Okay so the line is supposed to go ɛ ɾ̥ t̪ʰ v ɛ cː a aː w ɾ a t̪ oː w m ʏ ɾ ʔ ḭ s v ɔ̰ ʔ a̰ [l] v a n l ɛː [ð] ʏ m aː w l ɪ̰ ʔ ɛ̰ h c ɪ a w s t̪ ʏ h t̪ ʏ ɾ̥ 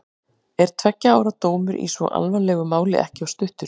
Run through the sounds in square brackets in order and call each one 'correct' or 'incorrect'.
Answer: correct, incorrect: ɣ

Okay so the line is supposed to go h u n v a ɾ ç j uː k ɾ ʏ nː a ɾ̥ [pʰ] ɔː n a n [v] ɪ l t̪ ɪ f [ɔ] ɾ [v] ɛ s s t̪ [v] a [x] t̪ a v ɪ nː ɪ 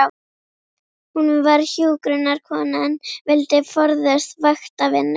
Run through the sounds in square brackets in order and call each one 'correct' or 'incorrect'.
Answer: incorrect: kʰ, correct, correct, incorrect: ð, correct, correct

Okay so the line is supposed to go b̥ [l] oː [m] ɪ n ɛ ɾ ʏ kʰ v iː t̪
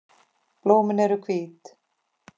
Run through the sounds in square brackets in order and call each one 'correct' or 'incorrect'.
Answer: correct, correct

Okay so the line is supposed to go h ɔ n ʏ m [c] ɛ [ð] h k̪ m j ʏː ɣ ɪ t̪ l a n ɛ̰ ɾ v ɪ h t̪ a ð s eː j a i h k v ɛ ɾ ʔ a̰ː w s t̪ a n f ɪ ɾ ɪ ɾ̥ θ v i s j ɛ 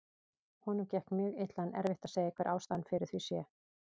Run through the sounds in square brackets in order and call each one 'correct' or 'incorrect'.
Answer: correct, incorrect: none

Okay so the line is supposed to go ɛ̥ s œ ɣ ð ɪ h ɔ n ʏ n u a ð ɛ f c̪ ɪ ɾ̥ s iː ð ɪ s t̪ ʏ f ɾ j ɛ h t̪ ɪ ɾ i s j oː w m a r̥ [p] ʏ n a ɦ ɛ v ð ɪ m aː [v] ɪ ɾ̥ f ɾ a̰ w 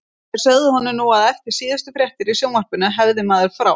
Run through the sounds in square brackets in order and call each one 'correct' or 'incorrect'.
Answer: correct, incorrect: ð

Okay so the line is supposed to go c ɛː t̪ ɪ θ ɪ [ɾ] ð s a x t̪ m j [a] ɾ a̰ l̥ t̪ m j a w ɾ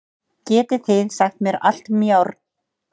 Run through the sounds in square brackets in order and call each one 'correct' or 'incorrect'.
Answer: incorrect: none, incorrect: ɛ

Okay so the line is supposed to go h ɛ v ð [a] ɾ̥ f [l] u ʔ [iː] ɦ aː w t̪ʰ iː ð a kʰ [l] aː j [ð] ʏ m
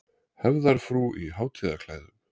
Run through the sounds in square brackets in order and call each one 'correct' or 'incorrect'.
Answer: correct, incorrect: ɾ, incorrect: i, correct, correct

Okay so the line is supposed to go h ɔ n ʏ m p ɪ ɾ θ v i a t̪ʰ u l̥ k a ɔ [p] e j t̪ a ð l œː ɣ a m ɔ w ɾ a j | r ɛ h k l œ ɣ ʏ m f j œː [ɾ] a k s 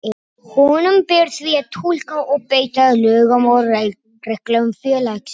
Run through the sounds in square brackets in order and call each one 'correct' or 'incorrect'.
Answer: correct, incorrect: l

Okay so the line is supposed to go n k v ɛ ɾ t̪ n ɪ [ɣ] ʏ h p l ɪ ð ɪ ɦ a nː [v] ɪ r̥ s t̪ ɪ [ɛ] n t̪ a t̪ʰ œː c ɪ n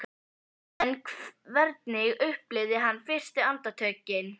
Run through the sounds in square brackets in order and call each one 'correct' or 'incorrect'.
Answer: correct, incorrect: f, incorrect: a

